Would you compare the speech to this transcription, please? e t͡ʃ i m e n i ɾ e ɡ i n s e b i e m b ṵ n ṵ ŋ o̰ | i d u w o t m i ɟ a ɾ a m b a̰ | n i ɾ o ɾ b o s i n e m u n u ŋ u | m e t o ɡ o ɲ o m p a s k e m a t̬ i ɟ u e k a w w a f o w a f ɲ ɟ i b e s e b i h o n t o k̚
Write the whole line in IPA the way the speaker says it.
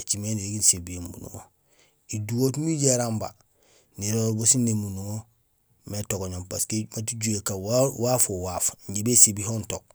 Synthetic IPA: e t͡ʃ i m e n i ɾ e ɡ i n s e b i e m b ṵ n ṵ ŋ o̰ | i d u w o t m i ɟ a ɾ a m b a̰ | n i ɾ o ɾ b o s i n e m u n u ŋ o | m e t o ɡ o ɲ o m p a s k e m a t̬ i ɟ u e k a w w a f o w a f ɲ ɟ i b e s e b i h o n t o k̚

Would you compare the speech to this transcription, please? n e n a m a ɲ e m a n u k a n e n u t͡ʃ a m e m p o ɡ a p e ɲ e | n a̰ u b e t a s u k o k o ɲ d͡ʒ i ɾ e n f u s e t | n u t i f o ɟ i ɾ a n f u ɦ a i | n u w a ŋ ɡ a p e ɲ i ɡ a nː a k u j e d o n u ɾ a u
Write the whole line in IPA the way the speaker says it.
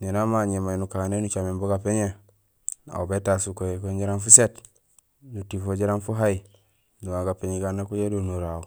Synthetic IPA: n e n a m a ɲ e m a n u k a n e n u t͡ʃ a m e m b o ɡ a p e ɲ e | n a̰ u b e t a s u k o k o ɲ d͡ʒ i ɾ a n f u s e t | n u t i f o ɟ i ɾ a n f u ɦ a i | n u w a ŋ ɡ a p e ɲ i ɡ a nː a k u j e d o n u ɾ a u

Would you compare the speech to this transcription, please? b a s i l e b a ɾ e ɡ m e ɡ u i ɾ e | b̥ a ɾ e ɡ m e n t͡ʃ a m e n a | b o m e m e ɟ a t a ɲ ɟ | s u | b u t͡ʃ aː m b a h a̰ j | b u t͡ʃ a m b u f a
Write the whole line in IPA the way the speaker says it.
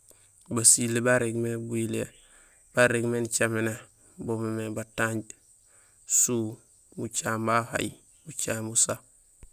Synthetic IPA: b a s i l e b a ɾ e ɡ m e b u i l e | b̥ a ɾ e ɡ m e n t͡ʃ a m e n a | b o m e m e b a t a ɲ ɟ | s u | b u t͡ʃ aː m b a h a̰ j | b u t͡ʃ a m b u s a

